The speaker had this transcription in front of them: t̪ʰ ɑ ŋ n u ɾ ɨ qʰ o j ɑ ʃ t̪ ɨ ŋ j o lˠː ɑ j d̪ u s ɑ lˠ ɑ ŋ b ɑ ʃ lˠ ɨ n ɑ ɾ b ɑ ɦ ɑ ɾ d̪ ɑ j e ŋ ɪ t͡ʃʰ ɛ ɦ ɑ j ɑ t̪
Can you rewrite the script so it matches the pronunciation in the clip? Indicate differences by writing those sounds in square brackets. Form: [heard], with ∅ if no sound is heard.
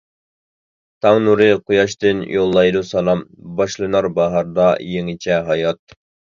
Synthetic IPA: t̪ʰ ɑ ŋ n u ɾ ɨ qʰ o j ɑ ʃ t̪ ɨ [n] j o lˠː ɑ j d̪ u s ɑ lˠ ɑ [m] b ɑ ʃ lˠ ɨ n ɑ ɾ b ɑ ɦ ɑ ɾ d̪ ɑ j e ŋ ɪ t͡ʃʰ ɛ ɦ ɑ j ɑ t̪